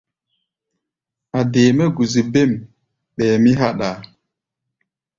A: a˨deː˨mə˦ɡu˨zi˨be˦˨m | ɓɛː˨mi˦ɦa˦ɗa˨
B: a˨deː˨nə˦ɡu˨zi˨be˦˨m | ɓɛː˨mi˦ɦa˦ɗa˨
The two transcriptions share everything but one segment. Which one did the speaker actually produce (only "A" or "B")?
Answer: A